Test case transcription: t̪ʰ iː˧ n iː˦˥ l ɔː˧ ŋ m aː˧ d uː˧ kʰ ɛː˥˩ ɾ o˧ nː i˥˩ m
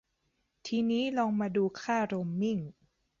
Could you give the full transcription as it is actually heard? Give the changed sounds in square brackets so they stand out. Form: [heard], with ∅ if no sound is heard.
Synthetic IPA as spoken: t̪ʰ iː˧ n iː˦˥ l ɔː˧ ŋ m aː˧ d uː˧ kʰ [aː˥˩] ɾ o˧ [mː] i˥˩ [ŋ]